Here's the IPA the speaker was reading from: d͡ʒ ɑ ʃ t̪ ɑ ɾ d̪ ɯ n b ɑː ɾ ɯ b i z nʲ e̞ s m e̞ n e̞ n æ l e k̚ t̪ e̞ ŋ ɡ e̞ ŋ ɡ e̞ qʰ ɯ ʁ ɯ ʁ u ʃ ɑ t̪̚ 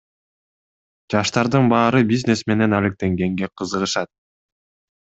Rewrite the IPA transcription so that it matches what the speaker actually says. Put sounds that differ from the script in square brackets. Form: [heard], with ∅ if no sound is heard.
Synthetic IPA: d͡ʒ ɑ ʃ t̪ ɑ ɾ d̪ ɯ n b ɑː ɾ ɯ b i z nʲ e̞ s m e̞ n e̞ n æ l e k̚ t̪ e̞ ŋ ɡ e̞ ŋ ɡ e̞ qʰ ɯ [z] ɯ ʁ [ɯ] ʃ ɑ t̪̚